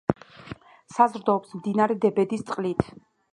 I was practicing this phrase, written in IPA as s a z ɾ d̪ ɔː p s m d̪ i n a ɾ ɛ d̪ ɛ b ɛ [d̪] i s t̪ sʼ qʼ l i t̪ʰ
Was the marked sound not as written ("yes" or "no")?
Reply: no